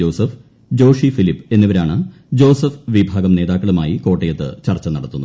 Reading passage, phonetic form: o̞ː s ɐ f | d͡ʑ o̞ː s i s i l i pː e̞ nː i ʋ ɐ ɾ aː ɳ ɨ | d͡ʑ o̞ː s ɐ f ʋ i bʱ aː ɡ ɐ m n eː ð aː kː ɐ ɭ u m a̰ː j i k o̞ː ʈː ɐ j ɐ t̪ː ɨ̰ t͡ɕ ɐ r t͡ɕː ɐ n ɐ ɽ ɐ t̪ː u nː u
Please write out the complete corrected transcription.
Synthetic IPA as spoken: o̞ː s ɐ f | d͡ʑ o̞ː ʂ i f i l i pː e̞ nː i ʋ ɐ ɾ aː ɳ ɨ | d͡ʑ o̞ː s ɐ f ʋ i bʱ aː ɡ ɐ m n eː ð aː kː ɐ ɭ u m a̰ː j i k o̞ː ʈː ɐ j ɐ t̪ː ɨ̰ t͡ɕ ɐ r t͡ɕː ɐ n ɐ ɽ ɐ t̪ː u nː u